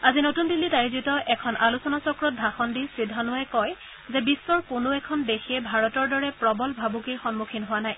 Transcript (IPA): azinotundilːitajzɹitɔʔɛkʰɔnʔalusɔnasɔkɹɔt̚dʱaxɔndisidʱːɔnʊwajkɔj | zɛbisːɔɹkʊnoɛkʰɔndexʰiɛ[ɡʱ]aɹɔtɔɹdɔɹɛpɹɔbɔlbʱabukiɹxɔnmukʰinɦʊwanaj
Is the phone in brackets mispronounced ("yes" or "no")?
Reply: yes